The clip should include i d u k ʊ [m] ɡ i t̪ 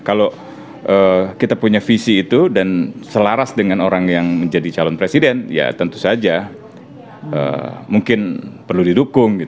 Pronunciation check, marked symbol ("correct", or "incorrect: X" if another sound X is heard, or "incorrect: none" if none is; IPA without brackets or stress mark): incorrect: ŋ